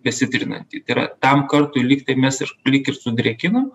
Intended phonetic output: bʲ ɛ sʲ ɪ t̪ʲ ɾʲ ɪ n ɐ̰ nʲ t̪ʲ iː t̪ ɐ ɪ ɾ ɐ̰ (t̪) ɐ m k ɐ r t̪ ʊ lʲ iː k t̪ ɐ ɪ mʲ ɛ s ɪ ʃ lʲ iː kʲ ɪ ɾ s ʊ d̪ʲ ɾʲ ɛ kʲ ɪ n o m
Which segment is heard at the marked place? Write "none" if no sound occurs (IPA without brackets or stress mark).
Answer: t̪